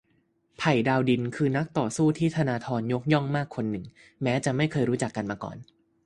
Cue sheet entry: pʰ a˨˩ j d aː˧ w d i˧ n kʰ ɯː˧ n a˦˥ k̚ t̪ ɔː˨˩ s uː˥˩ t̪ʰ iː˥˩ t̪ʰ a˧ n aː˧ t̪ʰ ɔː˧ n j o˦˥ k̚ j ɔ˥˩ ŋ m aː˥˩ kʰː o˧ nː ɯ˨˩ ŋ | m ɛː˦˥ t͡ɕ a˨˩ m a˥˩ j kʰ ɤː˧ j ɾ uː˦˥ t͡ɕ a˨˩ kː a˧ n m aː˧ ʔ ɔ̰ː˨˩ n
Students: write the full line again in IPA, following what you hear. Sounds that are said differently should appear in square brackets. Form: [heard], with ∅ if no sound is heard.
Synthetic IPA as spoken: pʰ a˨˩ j d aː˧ w d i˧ n kʰ ɯː˧ n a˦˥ k̚ t̪ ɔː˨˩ s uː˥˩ t̪ʰ iː˥˩ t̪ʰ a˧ n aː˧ t̪ʰ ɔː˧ n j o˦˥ k̚ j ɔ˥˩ ŋ m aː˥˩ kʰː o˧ nː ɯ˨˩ ŋ | m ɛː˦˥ t͡ɕ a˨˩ m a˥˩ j kʰ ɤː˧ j ɾ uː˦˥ t͡ɕ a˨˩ kː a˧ n m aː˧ [k] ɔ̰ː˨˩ n